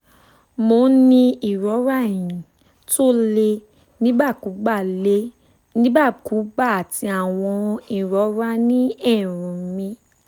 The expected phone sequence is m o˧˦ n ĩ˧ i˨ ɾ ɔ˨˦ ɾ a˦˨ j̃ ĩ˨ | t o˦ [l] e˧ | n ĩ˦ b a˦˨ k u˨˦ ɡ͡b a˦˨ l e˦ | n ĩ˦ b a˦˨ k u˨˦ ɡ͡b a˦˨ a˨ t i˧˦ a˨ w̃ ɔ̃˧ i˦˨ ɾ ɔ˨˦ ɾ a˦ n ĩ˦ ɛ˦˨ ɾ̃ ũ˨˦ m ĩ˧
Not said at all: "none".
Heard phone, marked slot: l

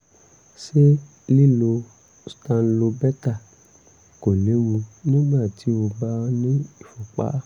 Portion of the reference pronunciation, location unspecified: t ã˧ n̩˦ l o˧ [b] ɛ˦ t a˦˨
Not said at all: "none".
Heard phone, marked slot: b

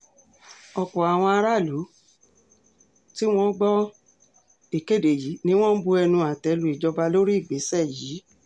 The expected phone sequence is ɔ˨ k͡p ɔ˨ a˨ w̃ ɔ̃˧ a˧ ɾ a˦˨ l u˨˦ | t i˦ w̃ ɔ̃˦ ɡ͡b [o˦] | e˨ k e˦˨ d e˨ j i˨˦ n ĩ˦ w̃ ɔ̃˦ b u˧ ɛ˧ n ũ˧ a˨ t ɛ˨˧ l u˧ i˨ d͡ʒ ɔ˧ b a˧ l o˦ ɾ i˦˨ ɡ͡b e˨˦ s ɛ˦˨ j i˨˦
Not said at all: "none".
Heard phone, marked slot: ɔ˦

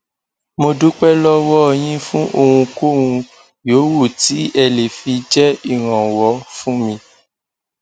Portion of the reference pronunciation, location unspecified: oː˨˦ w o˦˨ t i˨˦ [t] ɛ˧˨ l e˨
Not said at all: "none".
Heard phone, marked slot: none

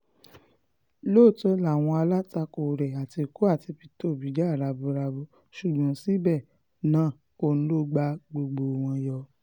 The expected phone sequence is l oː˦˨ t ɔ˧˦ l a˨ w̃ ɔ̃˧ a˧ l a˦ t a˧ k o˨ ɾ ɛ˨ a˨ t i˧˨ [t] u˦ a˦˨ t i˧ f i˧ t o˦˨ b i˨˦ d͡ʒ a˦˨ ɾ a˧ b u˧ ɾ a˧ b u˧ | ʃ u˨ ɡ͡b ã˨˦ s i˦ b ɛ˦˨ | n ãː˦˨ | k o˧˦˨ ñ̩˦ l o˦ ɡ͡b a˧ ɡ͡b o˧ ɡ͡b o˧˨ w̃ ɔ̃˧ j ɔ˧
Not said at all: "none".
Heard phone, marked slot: k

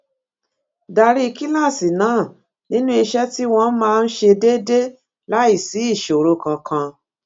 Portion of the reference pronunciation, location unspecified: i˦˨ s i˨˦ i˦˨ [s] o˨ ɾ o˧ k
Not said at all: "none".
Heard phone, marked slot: ʃ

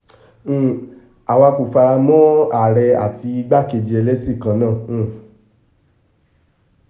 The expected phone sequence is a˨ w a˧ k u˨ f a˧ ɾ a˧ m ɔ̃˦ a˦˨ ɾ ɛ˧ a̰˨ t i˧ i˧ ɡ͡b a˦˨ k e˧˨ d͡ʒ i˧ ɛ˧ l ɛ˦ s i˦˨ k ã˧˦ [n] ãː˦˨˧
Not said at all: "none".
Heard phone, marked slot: n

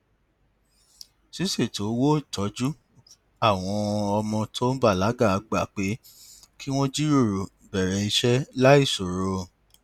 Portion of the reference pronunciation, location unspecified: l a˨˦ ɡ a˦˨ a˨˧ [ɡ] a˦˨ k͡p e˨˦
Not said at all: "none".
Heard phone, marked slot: ɡ͡b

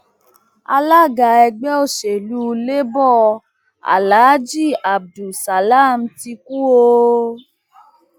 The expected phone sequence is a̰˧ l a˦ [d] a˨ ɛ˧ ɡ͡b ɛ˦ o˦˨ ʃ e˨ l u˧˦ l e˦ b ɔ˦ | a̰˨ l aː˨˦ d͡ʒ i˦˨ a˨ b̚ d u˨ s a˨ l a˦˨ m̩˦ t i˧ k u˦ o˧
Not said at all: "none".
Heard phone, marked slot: ɡ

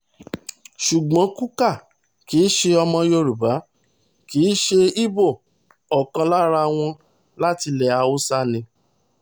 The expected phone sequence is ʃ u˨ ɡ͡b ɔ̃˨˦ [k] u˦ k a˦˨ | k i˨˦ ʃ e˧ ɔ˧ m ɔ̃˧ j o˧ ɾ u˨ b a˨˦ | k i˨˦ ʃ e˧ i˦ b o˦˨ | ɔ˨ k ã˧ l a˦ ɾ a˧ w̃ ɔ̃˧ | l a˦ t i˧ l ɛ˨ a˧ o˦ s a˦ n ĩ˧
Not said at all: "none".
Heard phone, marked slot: k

